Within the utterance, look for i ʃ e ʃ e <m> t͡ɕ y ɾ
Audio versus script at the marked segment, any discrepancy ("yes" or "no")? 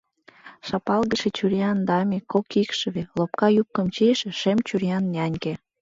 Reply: no